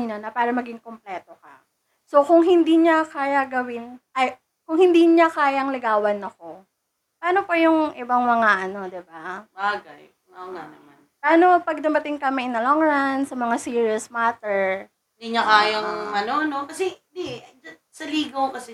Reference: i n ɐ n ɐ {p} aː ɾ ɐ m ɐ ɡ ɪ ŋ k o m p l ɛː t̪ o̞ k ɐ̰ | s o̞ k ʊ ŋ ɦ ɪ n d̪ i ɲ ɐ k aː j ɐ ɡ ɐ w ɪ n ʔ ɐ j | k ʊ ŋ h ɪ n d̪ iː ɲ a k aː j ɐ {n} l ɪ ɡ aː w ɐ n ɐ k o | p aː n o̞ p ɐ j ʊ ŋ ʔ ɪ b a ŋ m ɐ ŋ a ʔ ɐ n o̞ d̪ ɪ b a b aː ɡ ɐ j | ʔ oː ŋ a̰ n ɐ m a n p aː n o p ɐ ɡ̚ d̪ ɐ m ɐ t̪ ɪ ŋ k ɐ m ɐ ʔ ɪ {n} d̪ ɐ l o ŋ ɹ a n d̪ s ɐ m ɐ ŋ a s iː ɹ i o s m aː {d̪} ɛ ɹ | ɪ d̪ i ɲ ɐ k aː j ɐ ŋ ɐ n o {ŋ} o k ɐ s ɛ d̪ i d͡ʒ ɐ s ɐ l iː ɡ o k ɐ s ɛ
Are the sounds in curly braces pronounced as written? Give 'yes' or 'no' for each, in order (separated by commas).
yes, no, yes, no, no